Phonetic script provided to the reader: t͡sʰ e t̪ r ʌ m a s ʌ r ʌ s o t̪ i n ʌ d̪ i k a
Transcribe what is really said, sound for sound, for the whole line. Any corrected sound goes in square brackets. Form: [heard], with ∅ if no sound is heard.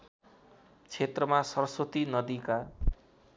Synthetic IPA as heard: t͡sʰ e t̪ r ʌ m a s ʌ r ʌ s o t̪ i n ʌ d̪ i k a